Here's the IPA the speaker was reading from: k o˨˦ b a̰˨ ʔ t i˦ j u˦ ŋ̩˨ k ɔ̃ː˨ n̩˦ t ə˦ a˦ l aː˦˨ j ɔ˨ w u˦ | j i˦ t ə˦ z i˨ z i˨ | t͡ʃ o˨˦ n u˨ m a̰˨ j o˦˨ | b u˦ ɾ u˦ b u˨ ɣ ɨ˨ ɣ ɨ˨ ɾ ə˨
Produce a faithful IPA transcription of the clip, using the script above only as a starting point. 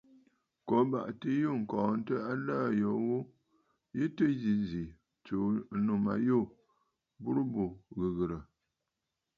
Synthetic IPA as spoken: k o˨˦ b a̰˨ ʔ t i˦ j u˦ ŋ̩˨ k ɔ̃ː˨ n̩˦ t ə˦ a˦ l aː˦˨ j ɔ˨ w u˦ | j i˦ t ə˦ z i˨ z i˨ | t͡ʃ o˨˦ n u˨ m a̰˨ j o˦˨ | b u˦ ɾ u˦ b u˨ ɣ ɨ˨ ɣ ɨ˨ ɾ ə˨